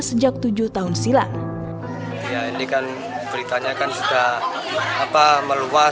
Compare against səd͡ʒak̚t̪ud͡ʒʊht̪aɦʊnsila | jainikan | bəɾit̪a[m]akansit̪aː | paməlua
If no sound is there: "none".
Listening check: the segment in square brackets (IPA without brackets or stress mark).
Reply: ɲ